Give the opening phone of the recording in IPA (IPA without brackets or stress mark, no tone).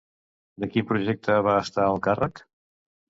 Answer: d̪